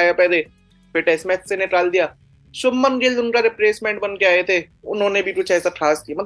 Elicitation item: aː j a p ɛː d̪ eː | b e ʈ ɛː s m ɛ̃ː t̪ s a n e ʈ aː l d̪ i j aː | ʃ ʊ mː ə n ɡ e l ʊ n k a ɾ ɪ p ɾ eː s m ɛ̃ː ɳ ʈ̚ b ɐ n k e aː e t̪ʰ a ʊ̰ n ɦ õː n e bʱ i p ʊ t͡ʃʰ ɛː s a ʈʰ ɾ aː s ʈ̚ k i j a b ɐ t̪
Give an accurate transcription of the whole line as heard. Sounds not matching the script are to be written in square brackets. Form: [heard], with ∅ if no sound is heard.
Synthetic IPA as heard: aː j a p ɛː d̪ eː | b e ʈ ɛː s m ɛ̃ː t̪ s [e] n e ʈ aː l d̪ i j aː | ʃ ʊ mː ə n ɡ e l ʊ n k a ɾ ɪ p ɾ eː s m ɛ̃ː ɳ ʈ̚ b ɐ n k e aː e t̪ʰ [e] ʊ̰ n ɦ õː n e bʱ i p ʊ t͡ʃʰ ɛː s a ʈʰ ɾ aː s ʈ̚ k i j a [m] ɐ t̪